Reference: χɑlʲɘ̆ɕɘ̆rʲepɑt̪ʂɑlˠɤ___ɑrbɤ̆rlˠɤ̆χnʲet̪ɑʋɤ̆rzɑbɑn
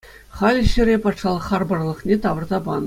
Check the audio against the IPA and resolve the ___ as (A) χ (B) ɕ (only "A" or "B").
A